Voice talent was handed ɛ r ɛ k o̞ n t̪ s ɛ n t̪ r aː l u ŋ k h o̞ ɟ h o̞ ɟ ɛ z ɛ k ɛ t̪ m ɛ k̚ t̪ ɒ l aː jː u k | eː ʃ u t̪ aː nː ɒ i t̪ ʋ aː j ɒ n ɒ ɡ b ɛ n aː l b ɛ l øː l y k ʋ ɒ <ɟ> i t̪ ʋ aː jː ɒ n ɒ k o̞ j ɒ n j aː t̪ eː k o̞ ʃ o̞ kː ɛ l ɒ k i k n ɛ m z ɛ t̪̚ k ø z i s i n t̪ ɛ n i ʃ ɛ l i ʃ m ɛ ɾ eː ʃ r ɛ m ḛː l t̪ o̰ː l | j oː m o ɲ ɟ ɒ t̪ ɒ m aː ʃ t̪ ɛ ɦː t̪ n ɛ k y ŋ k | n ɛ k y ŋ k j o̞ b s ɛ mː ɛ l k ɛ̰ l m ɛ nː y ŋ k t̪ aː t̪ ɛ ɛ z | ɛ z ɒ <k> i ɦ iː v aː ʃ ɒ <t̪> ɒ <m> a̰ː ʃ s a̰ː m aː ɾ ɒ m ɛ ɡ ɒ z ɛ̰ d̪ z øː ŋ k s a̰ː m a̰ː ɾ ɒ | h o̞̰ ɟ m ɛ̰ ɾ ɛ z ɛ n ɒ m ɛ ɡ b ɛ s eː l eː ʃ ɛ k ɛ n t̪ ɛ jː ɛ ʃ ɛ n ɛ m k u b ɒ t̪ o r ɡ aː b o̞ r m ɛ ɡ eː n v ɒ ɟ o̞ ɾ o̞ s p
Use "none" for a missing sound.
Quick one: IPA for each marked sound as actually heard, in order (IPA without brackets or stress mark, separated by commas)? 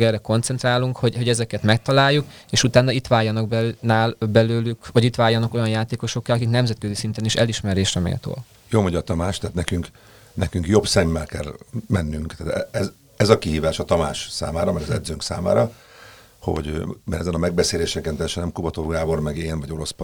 ɟ, k, t̪, m